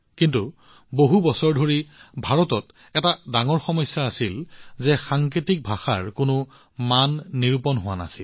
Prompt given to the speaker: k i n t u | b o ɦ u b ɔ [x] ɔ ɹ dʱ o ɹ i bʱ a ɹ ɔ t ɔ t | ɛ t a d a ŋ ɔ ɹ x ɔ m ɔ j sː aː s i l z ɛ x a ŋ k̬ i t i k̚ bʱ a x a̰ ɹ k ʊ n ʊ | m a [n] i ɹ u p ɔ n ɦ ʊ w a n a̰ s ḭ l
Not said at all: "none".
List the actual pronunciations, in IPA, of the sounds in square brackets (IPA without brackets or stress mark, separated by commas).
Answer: s, nː